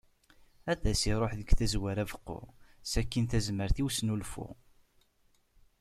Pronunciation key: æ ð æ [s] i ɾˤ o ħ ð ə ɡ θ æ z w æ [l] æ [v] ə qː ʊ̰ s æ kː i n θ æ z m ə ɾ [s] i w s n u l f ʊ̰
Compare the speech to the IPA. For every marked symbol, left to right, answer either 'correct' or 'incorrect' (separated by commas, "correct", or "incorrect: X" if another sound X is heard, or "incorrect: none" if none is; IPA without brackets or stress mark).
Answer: correct, incorrect: ɾ, correct, incorrect: θ